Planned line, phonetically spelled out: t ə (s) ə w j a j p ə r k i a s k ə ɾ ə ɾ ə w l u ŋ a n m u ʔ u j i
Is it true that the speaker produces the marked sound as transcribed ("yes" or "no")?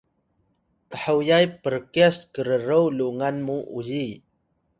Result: no